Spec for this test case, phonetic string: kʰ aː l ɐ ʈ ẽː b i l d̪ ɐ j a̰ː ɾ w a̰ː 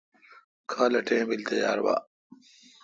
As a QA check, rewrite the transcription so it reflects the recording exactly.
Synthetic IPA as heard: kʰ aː l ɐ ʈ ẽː b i l t̪ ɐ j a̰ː ɾ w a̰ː

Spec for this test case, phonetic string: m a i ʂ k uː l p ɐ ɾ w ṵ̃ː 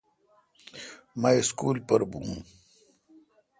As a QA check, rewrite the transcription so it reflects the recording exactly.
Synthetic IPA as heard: m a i s k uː l p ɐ ɾ b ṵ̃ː

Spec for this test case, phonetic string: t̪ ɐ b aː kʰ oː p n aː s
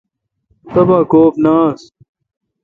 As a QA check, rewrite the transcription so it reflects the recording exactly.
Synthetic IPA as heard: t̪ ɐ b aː k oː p n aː s

